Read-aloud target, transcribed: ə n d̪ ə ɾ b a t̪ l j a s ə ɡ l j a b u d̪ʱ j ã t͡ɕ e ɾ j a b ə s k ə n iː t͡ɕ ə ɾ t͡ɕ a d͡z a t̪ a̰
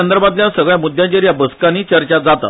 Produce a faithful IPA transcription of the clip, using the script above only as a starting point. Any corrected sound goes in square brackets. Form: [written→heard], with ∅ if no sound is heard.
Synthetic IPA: ə n d̪ ə ɾ b a t̪ l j a s ə ɡ [l→ɭ] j a [b→m] u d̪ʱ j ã t͡ɕ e ɾ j a b ə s k [ə→a] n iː t͡ɕ ə ɾ t͡ɕ a d͡z a t̪ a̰

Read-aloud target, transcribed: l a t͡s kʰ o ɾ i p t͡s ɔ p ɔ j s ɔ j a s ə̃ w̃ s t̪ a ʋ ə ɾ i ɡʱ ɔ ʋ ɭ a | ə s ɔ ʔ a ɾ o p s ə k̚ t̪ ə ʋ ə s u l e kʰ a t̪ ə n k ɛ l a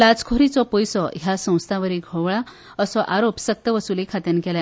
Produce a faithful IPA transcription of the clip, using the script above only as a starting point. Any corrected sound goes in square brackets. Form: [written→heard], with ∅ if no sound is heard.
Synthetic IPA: l a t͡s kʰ o ɾ i [p→∅] t͡s ɔ p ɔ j s ɔ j a s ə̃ w̃ s [t̪→t̪ʰ] a ʋ ə ɾ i ɡʱ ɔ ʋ ɭ a | ə s ɔ ʔ a ɾ o p s ə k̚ t̪ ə ʋ ə s u l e kʰ a t̪ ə n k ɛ l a

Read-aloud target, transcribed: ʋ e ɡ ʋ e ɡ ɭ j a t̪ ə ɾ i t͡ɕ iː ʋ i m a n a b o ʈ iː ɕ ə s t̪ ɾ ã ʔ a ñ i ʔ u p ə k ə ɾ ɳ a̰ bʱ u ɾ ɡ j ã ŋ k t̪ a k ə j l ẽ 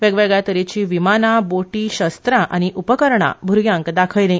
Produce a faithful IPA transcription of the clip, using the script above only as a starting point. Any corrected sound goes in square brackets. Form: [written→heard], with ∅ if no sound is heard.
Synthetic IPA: ʋ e ɡ ʋ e ɡ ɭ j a t̪ ə ɾ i t͡ɕ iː ʋ i m a n a b o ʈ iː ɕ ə s t̪ ɾ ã ʔ a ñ i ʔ u p ə k ə ɾ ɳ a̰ bʱ u ɾ ɡ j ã ŋ k [t̪→d̪] a [k→kʰ] ə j l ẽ

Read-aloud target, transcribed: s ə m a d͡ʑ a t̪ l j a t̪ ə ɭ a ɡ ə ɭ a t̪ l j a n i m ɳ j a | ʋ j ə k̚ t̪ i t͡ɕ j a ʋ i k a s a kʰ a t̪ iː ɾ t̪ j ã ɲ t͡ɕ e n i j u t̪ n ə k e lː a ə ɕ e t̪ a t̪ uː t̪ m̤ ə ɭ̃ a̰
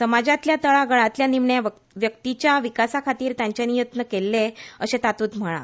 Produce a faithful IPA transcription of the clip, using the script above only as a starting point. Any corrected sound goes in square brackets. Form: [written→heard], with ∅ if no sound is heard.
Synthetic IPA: s ə m a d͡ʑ a t̪ l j a t̪ ə ɭ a ɡ ə ɭ a t̪ l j a n i m ɳ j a | ʋ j ə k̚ t̪ i t͡ɕ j a ʋ i k a s a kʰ a t̪ iː ɾ t̪ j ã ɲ t͡ɕ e n i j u t̪ n ə k e lː [a→e] ə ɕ e t̪ a t̪ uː t̪ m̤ ə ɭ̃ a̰

